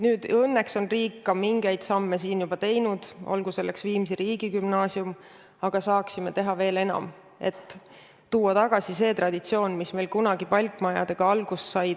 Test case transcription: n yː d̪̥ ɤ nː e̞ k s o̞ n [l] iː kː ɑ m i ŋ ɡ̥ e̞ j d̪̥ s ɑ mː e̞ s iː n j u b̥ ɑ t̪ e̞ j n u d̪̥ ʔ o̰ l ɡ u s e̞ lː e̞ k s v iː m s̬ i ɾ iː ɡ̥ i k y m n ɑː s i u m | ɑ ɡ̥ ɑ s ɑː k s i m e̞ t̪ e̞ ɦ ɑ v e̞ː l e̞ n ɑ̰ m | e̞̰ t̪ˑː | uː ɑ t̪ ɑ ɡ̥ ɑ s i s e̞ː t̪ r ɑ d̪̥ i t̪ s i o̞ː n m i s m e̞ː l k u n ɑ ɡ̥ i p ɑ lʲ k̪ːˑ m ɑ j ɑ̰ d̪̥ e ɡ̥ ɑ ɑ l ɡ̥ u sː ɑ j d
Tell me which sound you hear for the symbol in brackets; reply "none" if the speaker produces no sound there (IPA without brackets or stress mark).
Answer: r